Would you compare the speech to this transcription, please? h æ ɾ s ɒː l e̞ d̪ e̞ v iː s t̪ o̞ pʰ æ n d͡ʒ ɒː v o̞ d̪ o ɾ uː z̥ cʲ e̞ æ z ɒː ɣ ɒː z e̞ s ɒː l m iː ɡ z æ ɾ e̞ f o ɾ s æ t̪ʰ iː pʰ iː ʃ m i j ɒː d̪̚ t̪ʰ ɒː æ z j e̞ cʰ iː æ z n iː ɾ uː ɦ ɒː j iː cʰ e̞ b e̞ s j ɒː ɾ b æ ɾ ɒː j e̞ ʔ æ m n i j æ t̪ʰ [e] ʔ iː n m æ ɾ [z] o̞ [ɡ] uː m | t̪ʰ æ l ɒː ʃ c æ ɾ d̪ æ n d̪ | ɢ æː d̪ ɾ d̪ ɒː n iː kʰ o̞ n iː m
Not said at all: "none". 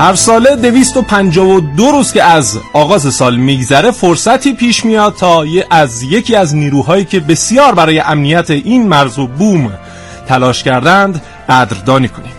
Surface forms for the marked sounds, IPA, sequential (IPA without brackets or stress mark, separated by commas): e, z, b